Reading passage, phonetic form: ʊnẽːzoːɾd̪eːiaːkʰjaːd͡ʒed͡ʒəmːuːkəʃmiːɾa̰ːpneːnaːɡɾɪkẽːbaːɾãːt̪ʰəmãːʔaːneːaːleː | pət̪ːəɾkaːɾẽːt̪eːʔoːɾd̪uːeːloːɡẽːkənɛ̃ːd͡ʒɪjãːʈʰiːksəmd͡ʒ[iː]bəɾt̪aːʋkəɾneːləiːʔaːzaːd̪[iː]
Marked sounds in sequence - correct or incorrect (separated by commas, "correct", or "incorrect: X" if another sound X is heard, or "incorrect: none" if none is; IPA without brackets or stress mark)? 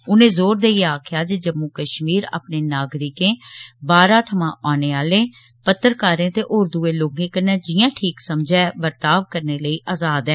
incorrect: ɛː, incorrect: ɛː